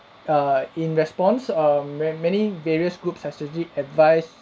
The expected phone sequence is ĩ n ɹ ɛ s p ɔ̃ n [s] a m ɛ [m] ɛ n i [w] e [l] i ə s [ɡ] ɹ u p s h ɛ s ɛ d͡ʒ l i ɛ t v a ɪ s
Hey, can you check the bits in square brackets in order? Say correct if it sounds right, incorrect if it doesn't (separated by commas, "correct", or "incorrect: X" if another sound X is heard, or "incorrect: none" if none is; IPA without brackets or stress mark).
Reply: correct, correct, incorrect: v, incorrect: ɹ, correct